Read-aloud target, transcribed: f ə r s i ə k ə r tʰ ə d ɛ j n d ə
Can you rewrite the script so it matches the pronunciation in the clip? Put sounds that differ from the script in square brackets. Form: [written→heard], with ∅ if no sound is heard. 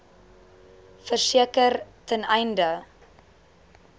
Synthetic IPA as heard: f ə r s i ə k ə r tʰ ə [d→n] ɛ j n d ə